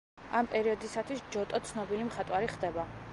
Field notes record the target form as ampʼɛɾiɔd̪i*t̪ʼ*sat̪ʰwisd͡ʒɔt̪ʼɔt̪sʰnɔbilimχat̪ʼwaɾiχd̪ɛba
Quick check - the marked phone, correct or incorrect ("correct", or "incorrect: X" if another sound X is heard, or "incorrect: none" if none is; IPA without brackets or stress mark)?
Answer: incorrect: none